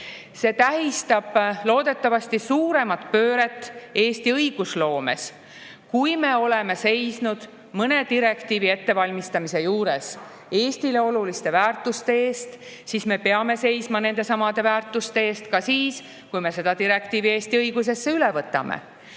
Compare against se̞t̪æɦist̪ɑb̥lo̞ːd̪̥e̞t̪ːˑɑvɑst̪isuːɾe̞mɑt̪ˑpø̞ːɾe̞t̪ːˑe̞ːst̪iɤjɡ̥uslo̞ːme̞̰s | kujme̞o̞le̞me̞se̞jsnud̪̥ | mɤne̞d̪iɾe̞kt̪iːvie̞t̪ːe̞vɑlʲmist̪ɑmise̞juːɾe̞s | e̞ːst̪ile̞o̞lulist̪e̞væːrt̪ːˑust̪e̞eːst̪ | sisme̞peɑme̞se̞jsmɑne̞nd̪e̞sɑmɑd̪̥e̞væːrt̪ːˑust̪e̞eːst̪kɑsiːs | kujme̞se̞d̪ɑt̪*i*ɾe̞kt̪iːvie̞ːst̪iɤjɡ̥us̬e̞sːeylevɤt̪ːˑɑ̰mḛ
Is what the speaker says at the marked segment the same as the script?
yes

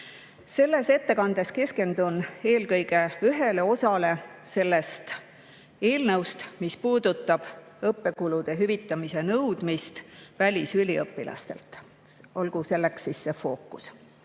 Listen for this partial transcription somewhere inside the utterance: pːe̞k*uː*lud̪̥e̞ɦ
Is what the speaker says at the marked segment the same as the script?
no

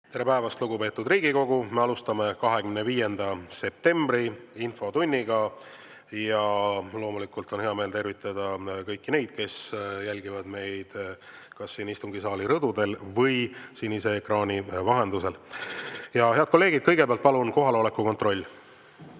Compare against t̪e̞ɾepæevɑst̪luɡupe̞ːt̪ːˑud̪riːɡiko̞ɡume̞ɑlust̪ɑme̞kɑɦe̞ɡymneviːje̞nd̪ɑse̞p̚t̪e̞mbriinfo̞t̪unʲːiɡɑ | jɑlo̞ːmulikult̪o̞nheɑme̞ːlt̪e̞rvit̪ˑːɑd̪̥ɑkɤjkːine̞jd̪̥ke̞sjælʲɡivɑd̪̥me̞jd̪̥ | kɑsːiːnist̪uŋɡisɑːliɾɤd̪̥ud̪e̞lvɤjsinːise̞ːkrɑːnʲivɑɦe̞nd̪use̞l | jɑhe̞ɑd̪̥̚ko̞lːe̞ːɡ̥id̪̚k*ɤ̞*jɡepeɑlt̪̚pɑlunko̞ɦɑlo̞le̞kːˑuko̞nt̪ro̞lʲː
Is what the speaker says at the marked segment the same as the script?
yes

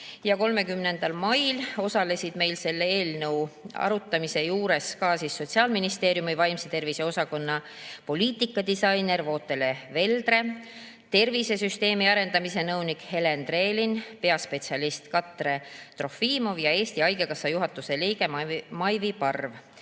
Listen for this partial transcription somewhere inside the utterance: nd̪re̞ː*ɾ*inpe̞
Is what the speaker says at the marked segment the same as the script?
no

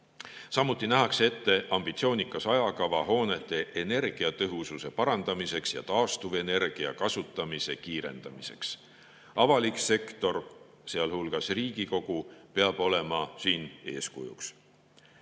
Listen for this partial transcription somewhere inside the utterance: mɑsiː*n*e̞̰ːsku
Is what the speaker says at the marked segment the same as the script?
yes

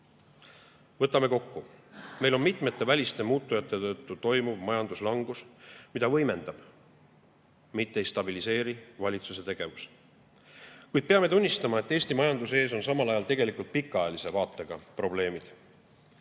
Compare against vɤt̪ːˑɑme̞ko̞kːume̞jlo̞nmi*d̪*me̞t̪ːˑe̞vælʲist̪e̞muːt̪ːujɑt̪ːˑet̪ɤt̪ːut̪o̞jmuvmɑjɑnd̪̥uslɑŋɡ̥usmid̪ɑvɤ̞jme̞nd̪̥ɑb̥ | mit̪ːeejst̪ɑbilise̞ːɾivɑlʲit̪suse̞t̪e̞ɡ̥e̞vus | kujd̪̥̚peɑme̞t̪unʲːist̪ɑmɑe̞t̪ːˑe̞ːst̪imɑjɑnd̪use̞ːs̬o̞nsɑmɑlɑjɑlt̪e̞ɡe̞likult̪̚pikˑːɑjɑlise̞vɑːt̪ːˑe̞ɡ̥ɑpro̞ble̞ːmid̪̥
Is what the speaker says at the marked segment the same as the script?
no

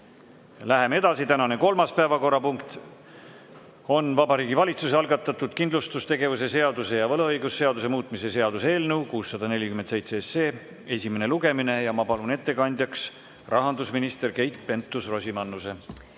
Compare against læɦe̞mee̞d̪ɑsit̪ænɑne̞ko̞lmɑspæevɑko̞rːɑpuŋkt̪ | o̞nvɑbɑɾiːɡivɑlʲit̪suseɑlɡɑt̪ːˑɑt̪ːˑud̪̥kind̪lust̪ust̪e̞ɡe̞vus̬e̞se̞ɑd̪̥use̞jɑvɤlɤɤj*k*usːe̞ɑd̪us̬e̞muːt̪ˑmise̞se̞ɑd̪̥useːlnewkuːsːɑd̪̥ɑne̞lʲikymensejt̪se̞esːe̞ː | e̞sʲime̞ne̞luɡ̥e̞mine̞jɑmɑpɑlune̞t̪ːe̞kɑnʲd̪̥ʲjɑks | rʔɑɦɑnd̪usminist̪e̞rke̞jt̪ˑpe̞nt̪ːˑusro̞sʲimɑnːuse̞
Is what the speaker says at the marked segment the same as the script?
no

